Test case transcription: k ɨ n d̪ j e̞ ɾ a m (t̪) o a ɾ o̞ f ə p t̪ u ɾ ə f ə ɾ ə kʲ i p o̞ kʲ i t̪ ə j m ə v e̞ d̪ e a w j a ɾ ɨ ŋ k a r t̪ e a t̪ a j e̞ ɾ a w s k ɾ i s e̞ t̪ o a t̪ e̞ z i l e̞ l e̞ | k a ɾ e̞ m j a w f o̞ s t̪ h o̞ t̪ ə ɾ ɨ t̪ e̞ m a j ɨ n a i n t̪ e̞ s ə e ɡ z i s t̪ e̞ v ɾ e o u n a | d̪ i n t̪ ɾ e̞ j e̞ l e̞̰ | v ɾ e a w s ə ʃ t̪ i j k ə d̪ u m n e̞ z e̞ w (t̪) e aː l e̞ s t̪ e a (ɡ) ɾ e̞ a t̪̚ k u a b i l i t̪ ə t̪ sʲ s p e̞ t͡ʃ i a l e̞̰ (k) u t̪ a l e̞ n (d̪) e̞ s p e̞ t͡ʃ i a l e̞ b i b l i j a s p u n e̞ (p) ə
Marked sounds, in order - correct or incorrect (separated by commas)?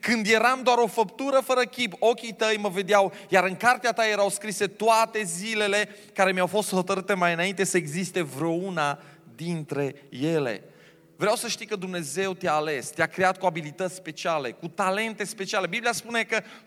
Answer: incorrect, correct, incorrect, correct, incorrect, incorrect